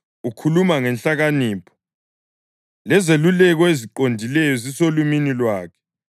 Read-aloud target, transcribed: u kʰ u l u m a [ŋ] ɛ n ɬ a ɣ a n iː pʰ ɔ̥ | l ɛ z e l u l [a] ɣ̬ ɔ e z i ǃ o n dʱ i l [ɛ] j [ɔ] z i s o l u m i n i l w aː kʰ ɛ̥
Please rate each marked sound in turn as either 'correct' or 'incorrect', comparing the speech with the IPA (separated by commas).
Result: correct, incorrect, correct, correct